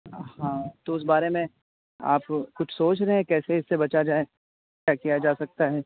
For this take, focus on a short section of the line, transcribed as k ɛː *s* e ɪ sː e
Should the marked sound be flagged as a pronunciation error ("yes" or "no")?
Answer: no